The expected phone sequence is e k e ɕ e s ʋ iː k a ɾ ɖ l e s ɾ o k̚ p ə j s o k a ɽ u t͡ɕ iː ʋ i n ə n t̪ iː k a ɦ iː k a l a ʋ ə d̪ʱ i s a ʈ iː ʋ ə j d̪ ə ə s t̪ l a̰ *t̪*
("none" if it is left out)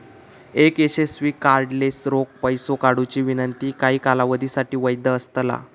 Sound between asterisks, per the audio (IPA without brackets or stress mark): none